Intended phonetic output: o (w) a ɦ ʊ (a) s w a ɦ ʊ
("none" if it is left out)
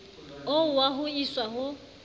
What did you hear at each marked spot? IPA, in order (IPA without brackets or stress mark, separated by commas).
w, i